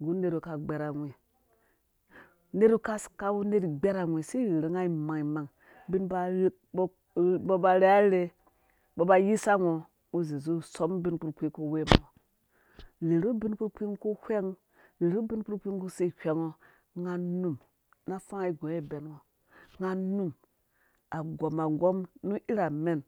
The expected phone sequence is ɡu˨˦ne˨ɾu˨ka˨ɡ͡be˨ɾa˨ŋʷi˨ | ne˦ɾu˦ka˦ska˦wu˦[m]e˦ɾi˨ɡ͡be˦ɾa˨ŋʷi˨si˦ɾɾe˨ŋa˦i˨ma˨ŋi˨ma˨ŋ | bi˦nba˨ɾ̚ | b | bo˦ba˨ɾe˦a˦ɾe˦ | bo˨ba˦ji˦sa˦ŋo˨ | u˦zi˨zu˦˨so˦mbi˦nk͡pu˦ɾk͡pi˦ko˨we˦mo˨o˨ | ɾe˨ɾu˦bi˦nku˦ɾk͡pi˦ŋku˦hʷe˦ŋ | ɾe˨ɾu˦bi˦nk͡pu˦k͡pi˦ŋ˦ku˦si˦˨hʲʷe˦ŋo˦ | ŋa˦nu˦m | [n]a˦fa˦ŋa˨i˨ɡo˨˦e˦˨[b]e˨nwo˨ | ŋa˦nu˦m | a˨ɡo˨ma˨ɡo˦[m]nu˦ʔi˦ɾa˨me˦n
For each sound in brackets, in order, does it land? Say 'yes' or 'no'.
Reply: no, yes, yes, yes

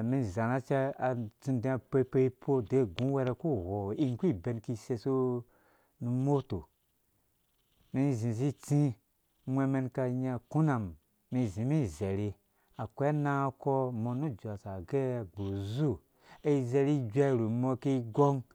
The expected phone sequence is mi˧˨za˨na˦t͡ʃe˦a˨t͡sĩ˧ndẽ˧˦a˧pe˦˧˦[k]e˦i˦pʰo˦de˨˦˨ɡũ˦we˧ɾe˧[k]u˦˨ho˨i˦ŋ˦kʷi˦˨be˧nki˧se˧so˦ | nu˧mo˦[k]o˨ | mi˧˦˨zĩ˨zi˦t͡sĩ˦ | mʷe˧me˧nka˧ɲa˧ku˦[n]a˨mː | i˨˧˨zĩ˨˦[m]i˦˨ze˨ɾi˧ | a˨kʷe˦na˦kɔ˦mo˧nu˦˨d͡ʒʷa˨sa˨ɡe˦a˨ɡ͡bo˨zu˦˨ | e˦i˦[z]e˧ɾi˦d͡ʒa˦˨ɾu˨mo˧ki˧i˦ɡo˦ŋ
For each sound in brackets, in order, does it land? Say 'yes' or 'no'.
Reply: no, yes, no, yes, yes, yes

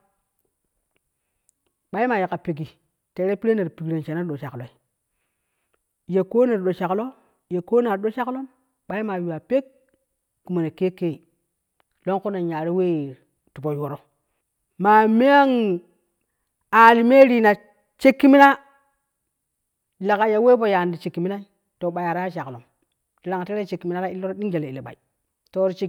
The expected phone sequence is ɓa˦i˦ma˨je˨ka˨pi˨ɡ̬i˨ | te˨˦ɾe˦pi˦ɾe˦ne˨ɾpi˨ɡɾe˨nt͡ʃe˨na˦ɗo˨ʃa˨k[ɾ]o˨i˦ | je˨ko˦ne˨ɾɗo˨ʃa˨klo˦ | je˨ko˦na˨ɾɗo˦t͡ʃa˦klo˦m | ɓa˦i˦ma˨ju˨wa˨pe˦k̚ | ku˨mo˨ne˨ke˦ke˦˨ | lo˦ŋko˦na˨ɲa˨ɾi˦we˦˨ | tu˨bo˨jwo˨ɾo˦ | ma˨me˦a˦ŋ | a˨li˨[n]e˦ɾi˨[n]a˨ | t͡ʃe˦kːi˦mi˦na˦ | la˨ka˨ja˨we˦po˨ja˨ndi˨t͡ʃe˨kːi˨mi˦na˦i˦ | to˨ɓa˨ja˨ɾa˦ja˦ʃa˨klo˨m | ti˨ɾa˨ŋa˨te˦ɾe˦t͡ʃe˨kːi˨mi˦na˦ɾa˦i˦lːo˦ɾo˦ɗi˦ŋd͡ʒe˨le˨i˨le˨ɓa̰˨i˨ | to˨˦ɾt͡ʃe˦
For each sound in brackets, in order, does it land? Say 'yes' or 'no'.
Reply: no, no, yes

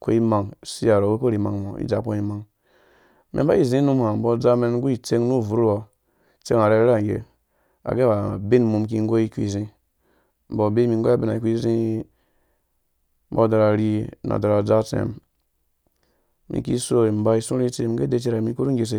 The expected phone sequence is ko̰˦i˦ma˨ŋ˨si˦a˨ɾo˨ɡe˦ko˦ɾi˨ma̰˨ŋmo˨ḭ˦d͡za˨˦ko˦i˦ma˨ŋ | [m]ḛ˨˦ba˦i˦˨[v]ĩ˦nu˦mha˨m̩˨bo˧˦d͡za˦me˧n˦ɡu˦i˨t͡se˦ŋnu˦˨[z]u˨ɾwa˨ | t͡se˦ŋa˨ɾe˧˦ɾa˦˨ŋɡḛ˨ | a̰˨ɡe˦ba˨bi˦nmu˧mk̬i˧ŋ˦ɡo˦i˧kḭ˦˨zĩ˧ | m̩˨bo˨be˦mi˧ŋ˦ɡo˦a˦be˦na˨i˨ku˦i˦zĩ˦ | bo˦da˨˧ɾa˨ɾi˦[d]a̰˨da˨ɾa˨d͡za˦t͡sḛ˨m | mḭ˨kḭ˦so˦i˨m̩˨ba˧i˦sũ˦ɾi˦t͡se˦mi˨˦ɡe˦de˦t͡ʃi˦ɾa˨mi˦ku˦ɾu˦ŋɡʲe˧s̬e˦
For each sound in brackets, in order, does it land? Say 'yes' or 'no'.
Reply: yes, no, no, no

